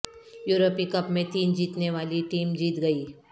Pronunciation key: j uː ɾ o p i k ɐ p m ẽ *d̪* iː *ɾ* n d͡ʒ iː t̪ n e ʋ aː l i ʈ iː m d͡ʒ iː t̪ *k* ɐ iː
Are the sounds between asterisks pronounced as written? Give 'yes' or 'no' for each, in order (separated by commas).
no, no, no